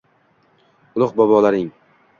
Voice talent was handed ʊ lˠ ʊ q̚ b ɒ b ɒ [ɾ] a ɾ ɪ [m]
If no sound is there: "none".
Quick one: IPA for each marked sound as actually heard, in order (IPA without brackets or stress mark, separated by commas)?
l, ŋ